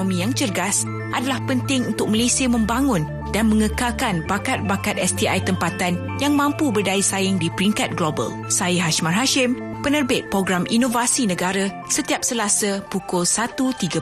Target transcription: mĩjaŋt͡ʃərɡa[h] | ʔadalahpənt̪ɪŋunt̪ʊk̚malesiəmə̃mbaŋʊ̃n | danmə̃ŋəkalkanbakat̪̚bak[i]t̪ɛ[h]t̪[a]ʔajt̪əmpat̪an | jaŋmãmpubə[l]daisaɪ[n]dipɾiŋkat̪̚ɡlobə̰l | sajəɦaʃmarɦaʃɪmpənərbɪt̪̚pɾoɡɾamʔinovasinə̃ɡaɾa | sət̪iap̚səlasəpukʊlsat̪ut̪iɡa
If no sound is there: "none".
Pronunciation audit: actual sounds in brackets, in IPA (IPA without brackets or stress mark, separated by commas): s, a, s, i, r, ŋ